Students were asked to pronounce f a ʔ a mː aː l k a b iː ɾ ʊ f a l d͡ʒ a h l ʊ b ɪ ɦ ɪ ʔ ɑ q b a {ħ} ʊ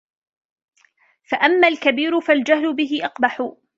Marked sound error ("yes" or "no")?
no